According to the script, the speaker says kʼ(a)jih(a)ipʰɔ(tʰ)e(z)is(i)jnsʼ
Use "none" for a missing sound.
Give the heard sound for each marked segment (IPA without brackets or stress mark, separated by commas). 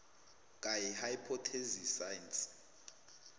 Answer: a, a, tʰ, z, a